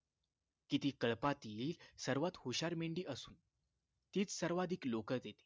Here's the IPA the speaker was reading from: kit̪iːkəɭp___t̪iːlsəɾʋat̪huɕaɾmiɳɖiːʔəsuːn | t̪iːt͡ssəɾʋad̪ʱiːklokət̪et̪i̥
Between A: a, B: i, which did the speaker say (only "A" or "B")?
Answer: A